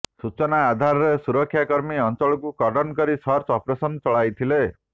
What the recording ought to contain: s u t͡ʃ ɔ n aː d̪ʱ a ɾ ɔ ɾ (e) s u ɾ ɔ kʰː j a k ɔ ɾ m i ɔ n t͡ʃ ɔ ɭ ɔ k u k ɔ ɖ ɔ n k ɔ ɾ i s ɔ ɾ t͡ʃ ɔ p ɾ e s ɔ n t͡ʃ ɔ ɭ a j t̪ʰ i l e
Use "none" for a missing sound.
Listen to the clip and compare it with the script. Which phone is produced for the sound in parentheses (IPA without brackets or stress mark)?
e